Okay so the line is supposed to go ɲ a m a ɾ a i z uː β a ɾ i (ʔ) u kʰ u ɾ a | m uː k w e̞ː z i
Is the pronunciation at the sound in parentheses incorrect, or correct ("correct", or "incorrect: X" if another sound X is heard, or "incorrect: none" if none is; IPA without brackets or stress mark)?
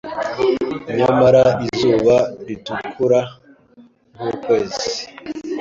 incorrect: t